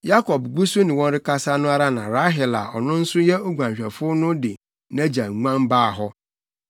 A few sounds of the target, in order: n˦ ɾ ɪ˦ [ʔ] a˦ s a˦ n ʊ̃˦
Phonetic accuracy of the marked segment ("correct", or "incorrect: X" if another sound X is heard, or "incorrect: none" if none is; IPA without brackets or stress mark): incorrect: k